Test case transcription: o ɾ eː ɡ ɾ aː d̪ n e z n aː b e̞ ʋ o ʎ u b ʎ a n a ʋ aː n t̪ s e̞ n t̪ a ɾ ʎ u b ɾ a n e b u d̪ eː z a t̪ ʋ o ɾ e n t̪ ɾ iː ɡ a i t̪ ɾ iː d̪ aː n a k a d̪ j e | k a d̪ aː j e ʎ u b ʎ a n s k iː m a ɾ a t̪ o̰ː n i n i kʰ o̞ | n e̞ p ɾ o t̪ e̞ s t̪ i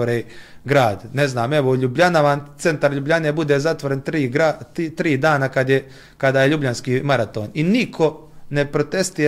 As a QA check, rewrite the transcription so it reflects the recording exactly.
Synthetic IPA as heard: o ɾ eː ɡ ɾ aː d̪ n e z n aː m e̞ ʋ o ʎ u b ʎ a n a ʋ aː n t̪ s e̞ n t̪ a ɾ ʎ u b ʎ a n e b u d̪ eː z a t̪ ʋ o ɾ e n t̪ ɾ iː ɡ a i t̪ ɾ iː d̪ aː n a k a d̪ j e | k a d̪ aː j e ʎ u b ʎ a n s k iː m a ɾ a t̪ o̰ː n i n i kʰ o̞ | n e̞ p ɾ o t̪ e̞ s t̪ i